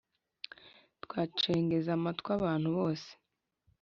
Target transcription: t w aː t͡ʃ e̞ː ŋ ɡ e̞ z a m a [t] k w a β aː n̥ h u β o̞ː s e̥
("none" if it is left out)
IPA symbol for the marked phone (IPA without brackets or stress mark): t